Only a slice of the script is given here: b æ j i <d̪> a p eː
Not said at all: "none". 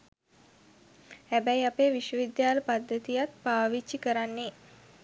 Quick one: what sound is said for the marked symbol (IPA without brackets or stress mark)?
none